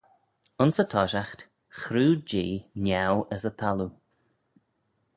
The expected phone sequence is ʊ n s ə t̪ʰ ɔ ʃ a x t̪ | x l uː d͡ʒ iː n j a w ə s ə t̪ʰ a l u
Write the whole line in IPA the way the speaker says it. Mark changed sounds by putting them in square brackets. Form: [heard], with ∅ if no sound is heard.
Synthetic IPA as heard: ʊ n s ə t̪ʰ ɔ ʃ a x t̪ | x [ɾ] uː d͡ʒ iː n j a w ə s ə t̪ʰ a l u